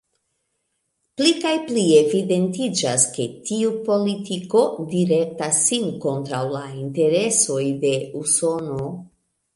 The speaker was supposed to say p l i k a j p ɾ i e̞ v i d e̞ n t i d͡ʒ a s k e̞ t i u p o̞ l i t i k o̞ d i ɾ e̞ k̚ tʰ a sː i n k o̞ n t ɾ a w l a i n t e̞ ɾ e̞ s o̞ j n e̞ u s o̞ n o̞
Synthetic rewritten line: p l i k a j p l i e̞ v i d e̞ n t i d͡ʒ a s k e̞ t i u p o̞ l i t i k o̞ d i ɾ e̞ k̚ t a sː i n k o̞ n t ɾ a w l a i n t e̞ ɾ e̞ s o̞ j d e̞ u s o̞ n o̞